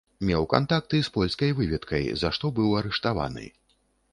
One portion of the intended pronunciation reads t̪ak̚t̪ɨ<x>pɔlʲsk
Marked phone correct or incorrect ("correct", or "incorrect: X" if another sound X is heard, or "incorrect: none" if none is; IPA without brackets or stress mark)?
incorrect: s